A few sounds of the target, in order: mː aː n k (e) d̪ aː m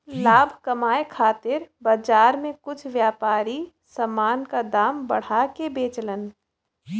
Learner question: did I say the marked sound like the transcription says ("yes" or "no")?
no